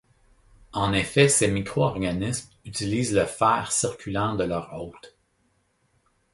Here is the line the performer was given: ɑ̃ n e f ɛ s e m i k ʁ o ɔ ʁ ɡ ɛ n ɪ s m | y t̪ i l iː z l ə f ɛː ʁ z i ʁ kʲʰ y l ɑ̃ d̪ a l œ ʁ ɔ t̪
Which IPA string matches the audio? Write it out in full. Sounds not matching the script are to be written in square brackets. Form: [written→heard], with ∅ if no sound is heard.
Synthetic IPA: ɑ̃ n e f ɛ s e m i k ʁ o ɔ ʁ ɡ [ɛ→a] n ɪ s m | y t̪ i l iː z l ə f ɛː ʁ [z→s] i ʁ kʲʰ y l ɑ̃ d̪ [a→ə] l œ ʁ ɔ t̪